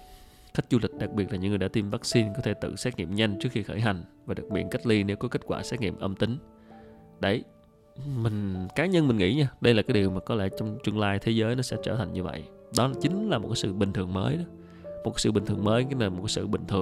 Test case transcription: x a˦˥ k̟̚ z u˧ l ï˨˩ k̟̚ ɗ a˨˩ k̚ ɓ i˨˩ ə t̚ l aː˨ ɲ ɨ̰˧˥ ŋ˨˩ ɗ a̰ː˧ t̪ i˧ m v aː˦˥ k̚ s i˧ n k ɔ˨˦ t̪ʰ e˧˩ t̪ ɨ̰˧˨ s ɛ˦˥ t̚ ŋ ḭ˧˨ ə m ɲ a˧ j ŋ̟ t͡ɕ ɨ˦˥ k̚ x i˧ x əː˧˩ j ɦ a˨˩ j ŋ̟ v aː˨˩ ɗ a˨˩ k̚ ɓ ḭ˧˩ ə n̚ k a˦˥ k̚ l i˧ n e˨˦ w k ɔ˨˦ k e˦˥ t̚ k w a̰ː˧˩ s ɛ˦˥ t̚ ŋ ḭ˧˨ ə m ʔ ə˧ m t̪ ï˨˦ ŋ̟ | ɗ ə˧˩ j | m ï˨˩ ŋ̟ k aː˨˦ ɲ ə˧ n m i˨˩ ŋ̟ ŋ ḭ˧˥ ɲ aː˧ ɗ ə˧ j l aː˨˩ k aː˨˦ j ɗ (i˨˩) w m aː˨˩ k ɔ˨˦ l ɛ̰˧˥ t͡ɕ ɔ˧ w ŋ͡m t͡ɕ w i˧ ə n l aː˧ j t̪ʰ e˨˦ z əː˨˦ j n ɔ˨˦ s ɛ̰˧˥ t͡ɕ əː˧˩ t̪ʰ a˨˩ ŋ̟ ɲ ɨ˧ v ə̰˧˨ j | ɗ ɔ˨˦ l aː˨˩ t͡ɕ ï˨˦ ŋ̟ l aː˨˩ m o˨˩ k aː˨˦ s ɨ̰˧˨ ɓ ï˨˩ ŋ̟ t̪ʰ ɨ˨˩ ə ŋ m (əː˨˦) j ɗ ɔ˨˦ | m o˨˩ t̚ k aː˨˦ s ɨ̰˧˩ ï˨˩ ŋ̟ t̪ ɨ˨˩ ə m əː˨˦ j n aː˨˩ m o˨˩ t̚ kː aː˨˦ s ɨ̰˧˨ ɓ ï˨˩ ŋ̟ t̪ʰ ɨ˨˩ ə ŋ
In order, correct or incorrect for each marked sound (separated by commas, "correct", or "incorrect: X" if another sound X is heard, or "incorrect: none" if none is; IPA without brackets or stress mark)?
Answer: correct, correct